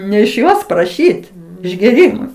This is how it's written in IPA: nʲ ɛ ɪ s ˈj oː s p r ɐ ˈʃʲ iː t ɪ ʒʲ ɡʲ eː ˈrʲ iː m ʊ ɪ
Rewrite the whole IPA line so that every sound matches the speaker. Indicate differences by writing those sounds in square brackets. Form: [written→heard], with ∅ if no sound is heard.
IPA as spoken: nʲ ɛ ɪ [s→ʃ] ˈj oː s p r ɐ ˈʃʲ iː t ɪ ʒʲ ɡʲ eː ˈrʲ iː m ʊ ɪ